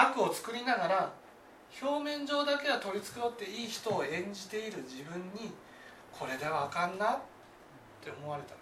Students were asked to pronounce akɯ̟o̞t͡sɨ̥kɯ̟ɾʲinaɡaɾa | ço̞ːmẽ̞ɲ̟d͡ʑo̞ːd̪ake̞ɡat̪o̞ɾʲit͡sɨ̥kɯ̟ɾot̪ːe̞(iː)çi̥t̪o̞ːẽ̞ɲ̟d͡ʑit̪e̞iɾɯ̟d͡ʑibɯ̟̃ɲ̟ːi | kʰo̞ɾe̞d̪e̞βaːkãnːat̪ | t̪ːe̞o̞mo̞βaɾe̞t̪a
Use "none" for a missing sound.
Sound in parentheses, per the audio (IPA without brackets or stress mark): iː